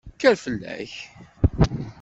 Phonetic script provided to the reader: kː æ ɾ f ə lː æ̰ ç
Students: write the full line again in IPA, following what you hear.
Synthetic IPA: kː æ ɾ f ə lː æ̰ ç